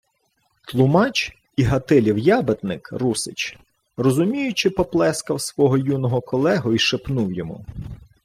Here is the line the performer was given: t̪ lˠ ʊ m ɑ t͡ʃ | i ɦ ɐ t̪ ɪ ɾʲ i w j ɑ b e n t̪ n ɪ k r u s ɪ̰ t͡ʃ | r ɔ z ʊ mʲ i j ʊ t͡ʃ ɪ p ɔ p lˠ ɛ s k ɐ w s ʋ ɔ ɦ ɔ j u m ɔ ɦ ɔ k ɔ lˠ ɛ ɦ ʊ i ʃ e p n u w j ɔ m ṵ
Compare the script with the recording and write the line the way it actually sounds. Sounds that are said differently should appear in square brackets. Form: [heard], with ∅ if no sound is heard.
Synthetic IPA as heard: t̪ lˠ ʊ m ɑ t͡ʃ | i ɦ ɐ t̪ ɪ [lʲ] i w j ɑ b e [∅] t̪ n ɪ k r u s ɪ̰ t͡ʃ | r ɔ z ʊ mʲ i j ʊ t͡ʃ ɪ p ɔ p lˠ ɛ s k ɐ w s ʋ ɔ ɦ ɔ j u [n] ɔ ɦ ɔ k ɔ lˠ ɛ ɦ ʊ i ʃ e p n u w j ɔ m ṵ

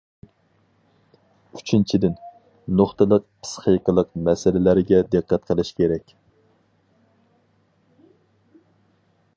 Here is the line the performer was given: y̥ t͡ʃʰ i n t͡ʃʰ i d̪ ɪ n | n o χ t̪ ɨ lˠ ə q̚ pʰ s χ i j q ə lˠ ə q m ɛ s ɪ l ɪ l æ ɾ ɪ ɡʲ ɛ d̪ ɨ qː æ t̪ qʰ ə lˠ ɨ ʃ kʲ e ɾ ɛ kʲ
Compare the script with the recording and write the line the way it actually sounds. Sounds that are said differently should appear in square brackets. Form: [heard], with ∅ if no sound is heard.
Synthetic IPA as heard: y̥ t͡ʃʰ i n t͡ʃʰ i d̪ ɪ n | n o χ t̪ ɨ lˠ ə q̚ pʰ s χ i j q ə lˠ ə q m ɛ s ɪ l ɪ l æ ɾ ɪ ɡʲ ɛ d̪ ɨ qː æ t̪ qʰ ə lˠ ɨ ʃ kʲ e ɾ ɛ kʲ

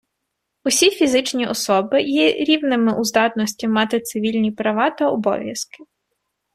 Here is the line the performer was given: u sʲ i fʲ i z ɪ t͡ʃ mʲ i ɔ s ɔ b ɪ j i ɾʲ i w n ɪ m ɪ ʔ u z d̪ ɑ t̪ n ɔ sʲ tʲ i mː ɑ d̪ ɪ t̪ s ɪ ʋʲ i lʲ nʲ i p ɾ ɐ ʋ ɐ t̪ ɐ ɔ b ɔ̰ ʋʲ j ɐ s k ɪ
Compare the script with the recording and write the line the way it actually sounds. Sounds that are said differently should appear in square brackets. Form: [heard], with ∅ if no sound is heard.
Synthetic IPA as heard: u sʲ i fʲ i z ɪ t͡ʃ [nʲ] i ɔ s ɔ b ɪ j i ɾʲ i w n ɪ m ɪ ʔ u z d̪ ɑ t̪ n ɔ sʲ tʲ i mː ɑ [t̪] ɪ t̪ s ɪ ʋʲ i lʲ nʲ i p ɾ ɐ ʋ [ɑ] t̪ ɐ ɔ b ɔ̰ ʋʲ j ɐ s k ɪ

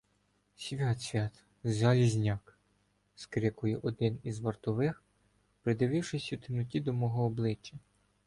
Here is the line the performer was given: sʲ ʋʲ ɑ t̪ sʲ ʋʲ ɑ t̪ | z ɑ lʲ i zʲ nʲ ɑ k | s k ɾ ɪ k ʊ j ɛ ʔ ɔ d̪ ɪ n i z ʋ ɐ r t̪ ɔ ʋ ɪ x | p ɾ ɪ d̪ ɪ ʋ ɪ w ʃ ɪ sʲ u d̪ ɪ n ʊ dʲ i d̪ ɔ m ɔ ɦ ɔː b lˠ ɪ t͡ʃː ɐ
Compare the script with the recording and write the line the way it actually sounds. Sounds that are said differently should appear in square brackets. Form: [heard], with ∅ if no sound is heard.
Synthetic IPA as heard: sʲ ʋʲ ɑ t̪ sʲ ʋʲ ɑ t̪ | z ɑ lʲ i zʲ nʲ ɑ k | s k ɾ ɪ k ʊ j ɛ ʔ ɔ d̪ ɪ n i z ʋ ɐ r t̪ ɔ ʋ ɪ x | p ɾ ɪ d̪ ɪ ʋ ɪ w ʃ ɪ sʲ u [t̪] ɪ n ʊ [tʲ] i d̪ ɔ m ɔ ɦ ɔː b lˠ ɪ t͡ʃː ɐ

